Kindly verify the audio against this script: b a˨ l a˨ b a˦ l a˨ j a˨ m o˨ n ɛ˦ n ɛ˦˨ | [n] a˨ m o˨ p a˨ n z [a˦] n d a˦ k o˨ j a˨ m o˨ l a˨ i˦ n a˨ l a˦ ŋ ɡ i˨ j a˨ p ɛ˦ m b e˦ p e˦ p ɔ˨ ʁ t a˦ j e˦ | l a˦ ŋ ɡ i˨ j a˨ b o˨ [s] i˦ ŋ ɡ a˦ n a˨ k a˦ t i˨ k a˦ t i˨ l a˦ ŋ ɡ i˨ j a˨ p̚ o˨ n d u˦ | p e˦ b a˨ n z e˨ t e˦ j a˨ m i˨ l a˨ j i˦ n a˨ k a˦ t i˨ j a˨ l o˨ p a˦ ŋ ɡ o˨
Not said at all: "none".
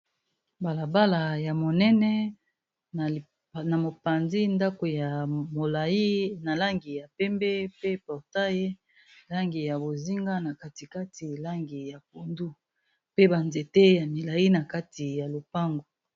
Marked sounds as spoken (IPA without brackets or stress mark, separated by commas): n, i˦, z